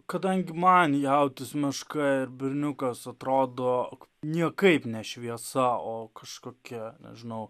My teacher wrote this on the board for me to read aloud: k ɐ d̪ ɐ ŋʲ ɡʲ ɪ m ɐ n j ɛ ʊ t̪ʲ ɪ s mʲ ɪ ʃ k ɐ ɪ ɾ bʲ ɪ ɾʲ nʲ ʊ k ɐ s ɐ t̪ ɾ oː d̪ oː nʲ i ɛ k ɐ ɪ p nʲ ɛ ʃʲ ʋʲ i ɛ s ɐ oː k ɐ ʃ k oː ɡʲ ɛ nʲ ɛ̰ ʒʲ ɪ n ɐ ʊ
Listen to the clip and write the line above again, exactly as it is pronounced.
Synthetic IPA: k ɐ d̪ ɐ ŋʲ ɡʲ ɪ m ɐ n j ɛ ʊ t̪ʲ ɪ s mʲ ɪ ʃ k ɐ ɪ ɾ bʲ ɪ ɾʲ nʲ ʊ k ɐ s ɐ t̪ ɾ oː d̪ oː nʲ i ɛ k ɐ ɪ p nʲ ɛ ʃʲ ʋʲ i ɛ s ɐ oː k ɐ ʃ k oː kʲ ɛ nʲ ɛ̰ ʒʲ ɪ n ɐ ʊ